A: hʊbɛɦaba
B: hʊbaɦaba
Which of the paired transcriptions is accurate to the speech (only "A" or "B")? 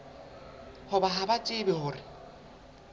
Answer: B